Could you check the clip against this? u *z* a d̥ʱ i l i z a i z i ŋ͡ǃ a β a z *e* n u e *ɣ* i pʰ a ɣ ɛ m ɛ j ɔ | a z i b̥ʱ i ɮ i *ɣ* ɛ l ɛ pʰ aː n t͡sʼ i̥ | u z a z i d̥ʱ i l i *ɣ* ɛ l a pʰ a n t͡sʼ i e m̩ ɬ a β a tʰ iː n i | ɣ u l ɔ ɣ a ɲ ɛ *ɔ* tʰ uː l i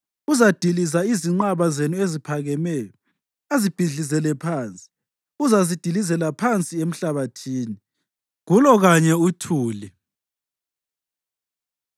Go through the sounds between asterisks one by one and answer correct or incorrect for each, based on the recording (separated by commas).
correct, correct, incorrect, incorrect, incorrect, incorrect